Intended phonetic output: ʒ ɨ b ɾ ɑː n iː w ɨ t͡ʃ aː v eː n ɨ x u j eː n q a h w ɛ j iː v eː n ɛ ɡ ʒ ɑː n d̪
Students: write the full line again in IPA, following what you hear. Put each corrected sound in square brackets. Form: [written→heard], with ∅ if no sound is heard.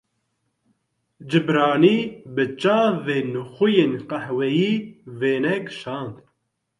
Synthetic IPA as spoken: [ʒ→d͡ʒ] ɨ b ɾ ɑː n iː [w→b] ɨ t͡ʃ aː v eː n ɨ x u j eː n q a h w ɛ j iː v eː n ɛ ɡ [ʒ→ʃ] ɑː n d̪